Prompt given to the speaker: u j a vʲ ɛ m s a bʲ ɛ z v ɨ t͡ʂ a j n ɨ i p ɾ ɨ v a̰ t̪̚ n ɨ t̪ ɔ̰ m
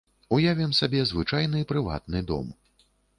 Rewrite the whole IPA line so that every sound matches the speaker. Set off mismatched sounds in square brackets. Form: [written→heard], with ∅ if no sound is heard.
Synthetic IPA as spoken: u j a vʲ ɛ m s a bʲ ɛ z v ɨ t͡ʂ a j n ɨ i p ɾ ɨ v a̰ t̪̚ n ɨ [t̪→d̪] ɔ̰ m